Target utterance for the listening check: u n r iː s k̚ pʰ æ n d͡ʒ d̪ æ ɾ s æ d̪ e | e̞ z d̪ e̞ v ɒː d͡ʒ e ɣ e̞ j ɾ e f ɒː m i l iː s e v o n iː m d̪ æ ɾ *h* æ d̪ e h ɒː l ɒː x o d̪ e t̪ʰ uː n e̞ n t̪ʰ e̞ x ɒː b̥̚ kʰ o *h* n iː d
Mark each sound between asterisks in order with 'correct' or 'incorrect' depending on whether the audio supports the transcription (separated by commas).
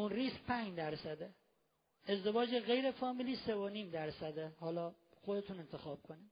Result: incorrect, incorrect